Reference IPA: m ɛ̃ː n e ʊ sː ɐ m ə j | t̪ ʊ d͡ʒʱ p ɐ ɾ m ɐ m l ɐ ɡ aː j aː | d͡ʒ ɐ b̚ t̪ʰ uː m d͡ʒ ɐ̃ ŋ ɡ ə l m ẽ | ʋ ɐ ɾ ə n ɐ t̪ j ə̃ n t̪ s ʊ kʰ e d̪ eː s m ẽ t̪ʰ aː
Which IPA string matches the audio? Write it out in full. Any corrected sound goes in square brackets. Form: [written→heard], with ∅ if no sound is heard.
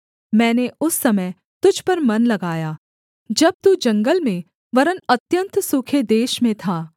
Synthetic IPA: m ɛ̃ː n e ʊ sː ɐ m ə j | t̪ ʊ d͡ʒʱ p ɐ ɾ m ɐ [m→n] l ɐ ɡ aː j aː | d͡ʒ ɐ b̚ [t̪ʰ→t̪] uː [m→∅] d͡ʒ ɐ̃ ŋ ɡ ə l m ẽ | ʋ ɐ ɾ ə n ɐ t̪ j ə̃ n t̪ s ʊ kʰ e d̪ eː [s→ʃ] m ẽ t̪ʰ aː

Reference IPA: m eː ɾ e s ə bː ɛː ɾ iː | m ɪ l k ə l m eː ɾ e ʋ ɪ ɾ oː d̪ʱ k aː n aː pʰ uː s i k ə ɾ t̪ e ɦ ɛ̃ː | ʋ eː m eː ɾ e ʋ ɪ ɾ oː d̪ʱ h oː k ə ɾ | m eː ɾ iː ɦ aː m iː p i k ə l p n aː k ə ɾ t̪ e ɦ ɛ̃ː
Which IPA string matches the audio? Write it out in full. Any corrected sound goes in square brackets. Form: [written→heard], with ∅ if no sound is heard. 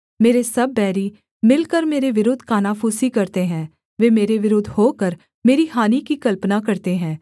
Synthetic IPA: m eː ɾ e s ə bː ɛː ɾ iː | m ɪ l k ə [l→ɾ] m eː ɾ e ʋ ɪ ɾ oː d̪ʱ k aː n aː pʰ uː s i k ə ɾ t̪ e ɦ ɛ̃ː | ʋ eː m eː ɾ e ʋ ɪ ɾ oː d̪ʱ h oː k ə ɾ | m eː ɾ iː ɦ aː [m→n] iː [p→k] i k ə l p n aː k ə ɾ t̪ e ɦ ɛ̃ː

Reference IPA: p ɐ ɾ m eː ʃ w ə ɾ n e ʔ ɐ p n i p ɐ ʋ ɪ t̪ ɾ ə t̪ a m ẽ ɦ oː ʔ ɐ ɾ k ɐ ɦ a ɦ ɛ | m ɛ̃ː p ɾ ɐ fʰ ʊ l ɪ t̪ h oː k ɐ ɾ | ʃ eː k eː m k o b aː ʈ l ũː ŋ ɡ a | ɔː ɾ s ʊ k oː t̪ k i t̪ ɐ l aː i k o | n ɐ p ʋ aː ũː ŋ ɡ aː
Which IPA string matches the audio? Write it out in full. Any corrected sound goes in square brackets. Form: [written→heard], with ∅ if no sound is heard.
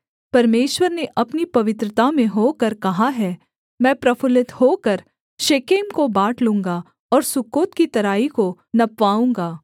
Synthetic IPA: p ɐ ɾ m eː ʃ w ə ɾ n e ʔ ɐ p n i p ɐ ʋ ɪ t̪ ɾ ə t̪ a m ẽ ɦ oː [ʔ→k] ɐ ɾ k ɐ ɦ a ɦ ɛ | m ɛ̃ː p ɾ ɐ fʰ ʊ l ɪ t̪ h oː k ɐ ɾ | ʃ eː k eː m k o b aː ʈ l ũː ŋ ɡ a | ɔː ɾ s ʊ k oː t̪ k i t̪ ɐ [l→ɾ] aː i k o | n ɐ p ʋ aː ũː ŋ ɡ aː

